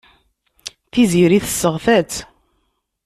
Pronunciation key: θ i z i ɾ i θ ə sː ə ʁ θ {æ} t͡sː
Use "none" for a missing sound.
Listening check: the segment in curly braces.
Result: æ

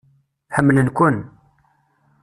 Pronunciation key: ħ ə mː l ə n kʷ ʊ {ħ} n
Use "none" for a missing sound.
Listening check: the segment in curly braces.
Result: none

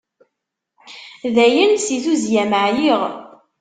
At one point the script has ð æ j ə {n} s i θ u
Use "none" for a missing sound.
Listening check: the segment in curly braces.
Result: n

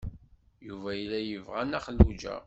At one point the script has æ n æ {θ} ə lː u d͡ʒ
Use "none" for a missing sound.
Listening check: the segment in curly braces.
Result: χ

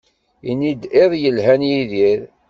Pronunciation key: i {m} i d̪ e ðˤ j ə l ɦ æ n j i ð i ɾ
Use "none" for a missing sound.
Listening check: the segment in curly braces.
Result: n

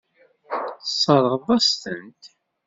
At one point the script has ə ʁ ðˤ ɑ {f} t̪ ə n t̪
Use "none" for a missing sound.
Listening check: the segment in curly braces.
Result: s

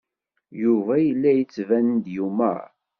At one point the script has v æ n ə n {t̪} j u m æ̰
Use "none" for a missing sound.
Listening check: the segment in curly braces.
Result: d̪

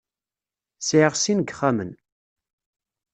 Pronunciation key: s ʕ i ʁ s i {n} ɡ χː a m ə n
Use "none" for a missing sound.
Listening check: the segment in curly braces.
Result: n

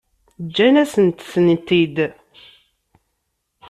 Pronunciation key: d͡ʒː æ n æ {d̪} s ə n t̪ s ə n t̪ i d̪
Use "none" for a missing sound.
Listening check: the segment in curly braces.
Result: none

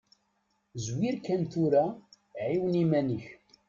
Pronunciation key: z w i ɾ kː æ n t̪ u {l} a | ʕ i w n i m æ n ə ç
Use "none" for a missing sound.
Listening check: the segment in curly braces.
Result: ɾ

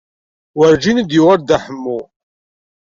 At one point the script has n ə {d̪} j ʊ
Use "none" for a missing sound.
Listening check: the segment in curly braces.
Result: d̪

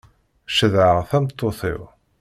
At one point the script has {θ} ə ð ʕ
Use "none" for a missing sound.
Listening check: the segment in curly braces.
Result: ʃ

